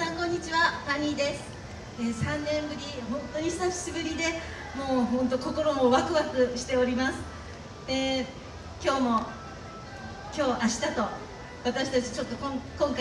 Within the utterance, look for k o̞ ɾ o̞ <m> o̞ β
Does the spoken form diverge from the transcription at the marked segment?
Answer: no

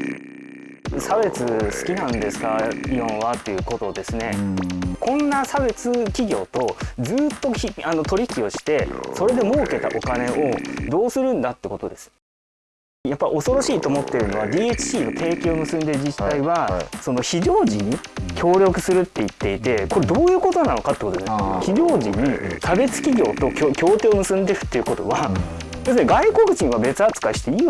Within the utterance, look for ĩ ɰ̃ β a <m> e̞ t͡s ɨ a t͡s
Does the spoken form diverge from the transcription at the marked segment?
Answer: yes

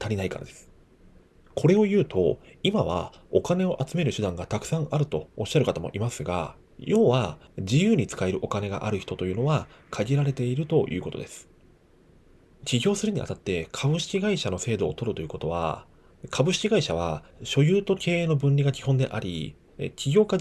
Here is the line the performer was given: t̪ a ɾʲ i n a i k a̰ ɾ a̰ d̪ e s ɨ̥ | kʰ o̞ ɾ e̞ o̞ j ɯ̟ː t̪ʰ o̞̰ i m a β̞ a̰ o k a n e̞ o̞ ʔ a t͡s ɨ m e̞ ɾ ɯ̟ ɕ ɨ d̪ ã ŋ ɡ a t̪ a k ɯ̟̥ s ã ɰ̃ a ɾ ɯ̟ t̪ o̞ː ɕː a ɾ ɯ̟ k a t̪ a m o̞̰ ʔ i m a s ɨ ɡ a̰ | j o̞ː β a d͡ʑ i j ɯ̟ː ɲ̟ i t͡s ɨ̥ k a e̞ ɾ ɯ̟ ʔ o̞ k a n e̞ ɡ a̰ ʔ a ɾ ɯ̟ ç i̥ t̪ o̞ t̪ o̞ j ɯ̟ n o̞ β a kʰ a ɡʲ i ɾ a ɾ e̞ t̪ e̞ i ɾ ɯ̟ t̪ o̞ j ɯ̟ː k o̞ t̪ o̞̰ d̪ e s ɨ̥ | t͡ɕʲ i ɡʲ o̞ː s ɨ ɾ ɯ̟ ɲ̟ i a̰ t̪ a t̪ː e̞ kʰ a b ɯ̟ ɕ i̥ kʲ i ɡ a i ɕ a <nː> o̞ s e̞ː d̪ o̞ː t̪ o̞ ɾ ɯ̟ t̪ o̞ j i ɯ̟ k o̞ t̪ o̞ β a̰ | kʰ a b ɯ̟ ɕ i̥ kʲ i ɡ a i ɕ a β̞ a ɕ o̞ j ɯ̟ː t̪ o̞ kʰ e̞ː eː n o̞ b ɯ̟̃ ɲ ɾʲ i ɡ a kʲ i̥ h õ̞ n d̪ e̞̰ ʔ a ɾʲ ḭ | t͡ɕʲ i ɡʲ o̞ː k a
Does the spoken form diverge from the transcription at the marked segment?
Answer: yes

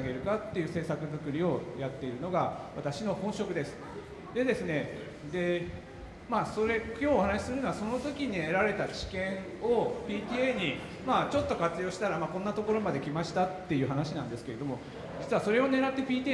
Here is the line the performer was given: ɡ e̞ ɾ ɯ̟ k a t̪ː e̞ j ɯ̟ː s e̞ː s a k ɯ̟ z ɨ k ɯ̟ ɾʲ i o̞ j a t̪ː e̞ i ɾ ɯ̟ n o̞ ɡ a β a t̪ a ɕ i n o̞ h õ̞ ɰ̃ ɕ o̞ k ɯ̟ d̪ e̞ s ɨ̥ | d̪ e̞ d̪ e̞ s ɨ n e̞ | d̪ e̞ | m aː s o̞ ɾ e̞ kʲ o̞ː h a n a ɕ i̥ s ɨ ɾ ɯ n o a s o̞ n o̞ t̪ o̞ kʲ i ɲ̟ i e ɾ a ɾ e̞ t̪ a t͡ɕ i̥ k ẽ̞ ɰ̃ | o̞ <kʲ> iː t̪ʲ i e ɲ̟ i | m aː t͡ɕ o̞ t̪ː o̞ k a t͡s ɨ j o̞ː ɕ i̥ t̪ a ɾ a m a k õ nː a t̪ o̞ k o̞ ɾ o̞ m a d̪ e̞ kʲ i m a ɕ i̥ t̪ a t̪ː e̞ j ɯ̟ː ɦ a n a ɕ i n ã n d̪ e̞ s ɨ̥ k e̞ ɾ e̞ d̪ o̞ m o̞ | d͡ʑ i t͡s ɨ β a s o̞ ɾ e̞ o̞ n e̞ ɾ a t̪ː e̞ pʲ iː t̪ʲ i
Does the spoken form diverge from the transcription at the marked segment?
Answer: yes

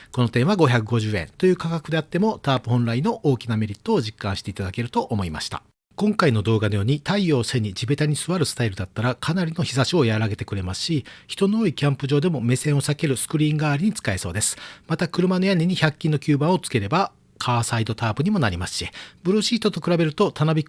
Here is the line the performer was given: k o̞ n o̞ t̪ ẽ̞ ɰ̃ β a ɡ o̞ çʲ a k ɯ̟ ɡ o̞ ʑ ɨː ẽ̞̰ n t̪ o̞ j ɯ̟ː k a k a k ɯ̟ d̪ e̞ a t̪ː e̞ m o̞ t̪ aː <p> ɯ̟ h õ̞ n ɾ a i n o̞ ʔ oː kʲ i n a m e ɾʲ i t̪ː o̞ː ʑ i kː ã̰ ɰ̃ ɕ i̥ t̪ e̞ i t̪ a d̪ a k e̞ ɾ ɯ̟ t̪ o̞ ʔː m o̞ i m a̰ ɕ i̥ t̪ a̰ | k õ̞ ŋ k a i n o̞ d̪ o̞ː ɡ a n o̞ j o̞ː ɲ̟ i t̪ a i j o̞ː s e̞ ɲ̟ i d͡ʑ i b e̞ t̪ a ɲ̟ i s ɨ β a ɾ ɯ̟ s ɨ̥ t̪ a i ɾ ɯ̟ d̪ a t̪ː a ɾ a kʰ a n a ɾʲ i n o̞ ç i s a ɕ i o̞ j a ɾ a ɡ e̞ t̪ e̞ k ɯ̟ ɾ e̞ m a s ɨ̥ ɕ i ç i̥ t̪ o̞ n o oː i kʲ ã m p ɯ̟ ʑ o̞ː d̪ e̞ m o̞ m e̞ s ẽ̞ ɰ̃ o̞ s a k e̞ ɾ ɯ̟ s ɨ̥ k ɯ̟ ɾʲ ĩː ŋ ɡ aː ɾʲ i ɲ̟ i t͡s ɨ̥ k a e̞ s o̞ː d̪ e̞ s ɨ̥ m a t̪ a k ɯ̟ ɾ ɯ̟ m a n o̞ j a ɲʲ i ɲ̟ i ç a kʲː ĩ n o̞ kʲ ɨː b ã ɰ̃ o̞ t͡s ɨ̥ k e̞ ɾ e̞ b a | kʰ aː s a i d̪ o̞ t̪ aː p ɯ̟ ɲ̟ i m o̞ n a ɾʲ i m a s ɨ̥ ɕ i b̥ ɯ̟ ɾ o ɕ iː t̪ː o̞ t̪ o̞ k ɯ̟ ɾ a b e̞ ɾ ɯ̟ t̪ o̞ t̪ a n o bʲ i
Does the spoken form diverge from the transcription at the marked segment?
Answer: no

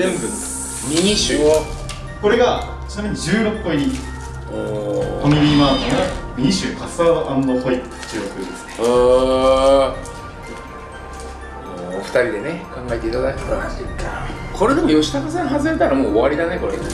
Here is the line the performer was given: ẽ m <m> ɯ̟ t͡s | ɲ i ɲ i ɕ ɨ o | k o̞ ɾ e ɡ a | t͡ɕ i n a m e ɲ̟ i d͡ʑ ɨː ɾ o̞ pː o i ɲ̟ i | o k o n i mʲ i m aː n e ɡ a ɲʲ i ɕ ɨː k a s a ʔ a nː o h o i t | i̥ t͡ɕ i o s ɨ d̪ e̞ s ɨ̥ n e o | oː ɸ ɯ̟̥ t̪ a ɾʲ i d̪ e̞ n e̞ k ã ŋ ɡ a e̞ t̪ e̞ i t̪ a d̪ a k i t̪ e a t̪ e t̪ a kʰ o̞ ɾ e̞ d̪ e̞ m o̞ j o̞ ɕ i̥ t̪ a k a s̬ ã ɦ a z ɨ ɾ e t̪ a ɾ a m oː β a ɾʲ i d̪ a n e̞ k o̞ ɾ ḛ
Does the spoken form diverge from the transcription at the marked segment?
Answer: yes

